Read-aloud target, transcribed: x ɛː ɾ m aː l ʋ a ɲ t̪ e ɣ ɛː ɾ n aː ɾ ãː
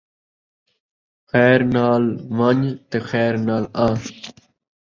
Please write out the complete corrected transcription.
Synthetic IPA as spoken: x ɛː ɾ n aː l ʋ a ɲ t̪ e x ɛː ɾ n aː l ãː